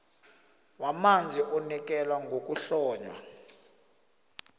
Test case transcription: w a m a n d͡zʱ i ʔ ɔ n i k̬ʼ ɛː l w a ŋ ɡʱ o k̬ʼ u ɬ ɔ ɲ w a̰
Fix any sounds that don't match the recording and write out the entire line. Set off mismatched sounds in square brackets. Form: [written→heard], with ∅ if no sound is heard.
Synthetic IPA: w a m a n d͡zʱ i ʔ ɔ n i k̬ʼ [ɛː→ɛ] l w a ŋ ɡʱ o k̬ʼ u ɬ [ɔ→ɔː] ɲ w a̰